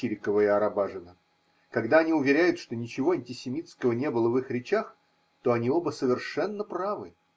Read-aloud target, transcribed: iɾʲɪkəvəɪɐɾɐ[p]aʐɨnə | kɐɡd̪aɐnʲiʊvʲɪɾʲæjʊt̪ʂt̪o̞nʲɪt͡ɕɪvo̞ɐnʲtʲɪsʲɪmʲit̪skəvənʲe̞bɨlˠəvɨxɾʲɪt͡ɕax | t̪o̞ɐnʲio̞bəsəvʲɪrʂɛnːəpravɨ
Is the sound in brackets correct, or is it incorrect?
incorrect